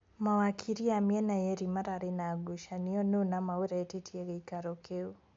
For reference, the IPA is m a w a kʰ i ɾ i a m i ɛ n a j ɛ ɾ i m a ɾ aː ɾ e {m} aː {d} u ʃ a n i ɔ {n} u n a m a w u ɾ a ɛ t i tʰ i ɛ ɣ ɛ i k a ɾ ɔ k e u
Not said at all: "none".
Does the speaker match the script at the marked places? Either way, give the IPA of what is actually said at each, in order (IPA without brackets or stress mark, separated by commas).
n, ɡ, n